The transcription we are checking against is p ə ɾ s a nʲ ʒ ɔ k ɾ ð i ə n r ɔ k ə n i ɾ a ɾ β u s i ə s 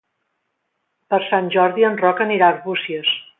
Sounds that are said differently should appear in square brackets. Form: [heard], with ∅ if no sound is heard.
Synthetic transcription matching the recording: p ə ɾ s a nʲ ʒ ɔ [∅] ɾ ð i ə n r ɔ k ə n i ɾ a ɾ β u s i ə s